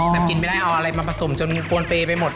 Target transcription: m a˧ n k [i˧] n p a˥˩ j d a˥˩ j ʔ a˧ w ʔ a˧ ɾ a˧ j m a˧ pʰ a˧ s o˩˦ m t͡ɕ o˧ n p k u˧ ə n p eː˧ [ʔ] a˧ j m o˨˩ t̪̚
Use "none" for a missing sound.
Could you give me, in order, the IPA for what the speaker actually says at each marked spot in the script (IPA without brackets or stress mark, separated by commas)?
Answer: i˧, p